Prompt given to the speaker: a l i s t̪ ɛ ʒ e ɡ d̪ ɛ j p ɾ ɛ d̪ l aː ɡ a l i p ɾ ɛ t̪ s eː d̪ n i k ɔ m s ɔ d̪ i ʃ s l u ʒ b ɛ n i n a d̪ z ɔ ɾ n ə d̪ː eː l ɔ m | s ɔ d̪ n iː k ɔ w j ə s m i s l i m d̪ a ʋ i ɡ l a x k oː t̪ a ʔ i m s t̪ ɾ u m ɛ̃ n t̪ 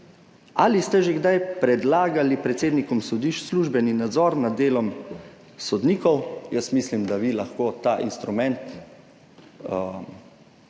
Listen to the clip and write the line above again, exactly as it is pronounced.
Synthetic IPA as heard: a l i s t̪ ɛ ʒ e ɡ d̪ a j p ɾ ɛ d̪ l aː ɡ a l i p ɾ ɛ t̪ s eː d̪ n i k ɔ m s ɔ d̪ i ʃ s l u ʒ b ɛ n i n a d̪ z ɔ ɾ n a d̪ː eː l ɔ m | s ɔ d̪ n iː k ɔ w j ə s m i s l i m d̪ a ʋ i l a x k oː t̪ a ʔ i n s t̪ ɾ u m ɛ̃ n t̪